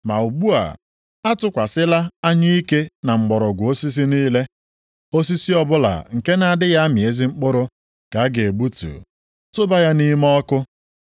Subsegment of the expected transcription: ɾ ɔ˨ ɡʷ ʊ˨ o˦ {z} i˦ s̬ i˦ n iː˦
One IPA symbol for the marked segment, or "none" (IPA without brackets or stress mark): s